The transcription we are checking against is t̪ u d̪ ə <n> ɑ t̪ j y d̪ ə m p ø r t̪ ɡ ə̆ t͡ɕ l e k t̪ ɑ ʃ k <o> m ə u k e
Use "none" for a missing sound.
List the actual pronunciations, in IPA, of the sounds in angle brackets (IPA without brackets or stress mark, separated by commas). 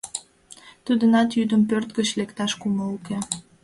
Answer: n, u